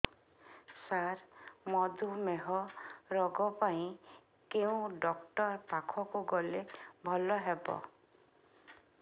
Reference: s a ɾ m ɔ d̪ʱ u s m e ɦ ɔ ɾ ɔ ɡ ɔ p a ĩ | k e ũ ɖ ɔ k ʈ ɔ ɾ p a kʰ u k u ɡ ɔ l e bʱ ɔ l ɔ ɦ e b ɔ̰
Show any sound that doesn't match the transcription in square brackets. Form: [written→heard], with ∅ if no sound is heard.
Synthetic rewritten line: s a ɾ m ɔ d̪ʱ u [s→∅] m e ɦ ɔ ɾ ɔ ɡ ɔ p a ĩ | k e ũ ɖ ɔ k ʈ ɔ ɾ p a kʰ [u→ɔ] k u ɡ ɔ l e bʱ ɔ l ɔ ɦ e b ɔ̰